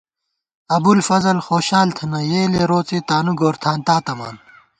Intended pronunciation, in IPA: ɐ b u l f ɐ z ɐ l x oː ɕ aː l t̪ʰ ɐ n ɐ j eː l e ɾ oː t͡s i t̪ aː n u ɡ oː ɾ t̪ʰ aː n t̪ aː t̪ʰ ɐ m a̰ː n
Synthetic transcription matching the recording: ɐ b u l f ɐ z ɐ l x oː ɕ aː l t̪ʰ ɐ n ɐ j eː l e ɾ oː t͡s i t̪ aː n u ɡ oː ɾ t̪ʰ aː n t̪ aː t̪ ɐ m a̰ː n